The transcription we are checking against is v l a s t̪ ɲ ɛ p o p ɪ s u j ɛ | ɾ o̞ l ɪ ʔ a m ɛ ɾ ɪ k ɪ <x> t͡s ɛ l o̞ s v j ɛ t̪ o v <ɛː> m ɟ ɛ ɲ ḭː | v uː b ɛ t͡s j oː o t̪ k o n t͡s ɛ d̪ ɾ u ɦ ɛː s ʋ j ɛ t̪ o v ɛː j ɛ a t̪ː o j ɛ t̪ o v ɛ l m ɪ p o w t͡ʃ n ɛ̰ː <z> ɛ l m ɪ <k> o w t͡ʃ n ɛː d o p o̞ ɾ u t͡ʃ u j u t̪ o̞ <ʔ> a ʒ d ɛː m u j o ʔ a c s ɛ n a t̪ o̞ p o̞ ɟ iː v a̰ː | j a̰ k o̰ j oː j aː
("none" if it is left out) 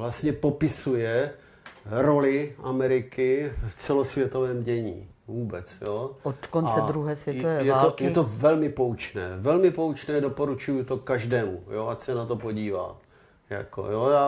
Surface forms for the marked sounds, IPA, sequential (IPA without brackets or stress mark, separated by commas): f, ɛː, v, p, k